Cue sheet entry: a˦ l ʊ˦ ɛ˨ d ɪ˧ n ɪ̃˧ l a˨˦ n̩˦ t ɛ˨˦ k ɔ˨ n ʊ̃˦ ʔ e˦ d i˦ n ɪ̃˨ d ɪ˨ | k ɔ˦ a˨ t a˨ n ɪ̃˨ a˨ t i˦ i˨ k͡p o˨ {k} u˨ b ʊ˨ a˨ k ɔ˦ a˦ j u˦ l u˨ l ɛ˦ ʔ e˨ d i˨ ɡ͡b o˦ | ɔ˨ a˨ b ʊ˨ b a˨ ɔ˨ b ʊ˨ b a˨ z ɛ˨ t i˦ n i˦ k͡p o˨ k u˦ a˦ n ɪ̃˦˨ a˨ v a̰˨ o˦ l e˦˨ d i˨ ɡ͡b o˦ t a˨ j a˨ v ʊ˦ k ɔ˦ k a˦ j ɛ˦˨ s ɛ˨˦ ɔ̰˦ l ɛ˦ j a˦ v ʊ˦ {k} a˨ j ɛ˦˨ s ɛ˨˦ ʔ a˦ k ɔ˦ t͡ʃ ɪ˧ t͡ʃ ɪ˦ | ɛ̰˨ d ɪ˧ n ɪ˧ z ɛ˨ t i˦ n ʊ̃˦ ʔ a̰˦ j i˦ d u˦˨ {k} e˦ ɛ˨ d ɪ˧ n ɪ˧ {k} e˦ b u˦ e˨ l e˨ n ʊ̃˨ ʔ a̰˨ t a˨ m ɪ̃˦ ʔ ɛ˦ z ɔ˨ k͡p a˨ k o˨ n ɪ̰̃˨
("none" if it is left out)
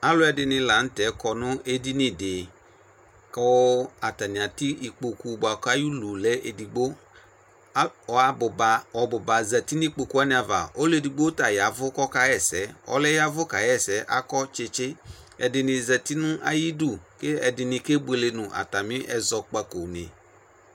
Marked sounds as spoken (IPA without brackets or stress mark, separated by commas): k, k, k, k